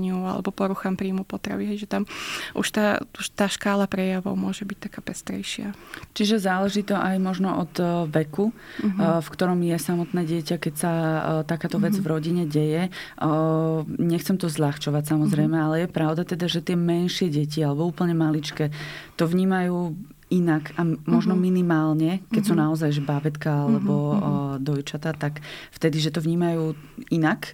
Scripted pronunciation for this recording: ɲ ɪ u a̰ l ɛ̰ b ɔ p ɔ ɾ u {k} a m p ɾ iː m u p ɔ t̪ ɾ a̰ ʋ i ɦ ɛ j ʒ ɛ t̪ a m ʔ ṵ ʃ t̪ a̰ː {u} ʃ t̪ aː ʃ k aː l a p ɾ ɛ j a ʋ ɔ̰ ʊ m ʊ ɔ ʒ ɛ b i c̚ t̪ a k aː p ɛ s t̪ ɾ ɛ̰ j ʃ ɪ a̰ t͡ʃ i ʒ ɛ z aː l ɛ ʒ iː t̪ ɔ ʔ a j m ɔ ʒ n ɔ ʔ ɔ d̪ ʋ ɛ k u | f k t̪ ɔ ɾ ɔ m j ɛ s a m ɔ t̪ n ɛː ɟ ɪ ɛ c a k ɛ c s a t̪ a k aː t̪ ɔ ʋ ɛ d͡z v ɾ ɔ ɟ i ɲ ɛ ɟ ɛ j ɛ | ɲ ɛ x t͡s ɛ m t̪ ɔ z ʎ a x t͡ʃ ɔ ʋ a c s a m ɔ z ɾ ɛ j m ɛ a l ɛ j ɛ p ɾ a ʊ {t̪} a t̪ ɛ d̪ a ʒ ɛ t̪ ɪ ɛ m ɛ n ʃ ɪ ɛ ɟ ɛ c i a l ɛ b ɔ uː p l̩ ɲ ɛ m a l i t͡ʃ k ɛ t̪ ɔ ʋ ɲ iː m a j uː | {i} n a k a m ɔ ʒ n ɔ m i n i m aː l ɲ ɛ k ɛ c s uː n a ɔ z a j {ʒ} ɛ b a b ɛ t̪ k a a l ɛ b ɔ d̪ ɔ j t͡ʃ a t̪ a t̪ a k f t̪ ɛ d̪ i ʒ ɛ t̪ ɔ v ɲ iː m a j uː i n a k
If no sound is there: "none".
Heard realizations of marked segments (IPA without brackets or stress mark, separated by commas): x, u, d̪, i, ʒ